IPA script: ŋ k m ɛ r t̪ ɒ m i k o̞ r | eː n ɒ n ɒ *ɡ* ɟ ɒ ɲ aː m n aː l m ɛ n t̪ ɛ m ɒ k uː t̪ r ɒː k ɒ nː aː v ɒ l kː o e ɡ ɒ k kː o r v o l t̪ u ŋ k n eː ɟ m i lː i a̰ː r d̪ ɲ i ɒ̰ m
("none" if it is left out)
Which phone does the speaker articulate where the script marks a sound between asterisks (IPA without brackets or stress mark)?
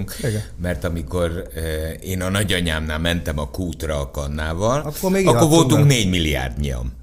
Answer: none